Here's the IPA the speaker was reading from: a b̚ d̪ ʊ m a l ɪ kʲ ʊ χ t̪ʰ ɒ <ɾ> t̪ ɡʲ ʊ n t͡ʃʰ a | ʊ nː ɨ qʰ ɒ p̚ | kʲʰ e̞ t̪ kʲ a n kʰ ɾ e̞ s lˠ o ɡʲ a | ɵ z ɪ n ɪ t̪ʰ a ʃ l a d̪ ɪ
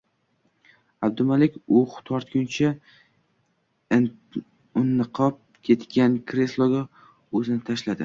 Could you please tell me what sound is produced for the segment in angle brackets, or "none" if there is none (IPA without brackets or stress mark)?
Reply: ɾ